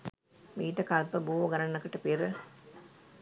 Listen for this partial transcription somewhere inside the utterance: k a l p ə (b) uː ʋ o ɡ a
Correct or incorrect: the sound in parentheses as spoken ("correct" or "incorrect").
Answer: correct